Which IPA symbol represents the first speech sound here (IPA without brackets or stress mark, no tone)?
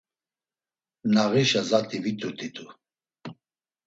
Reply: n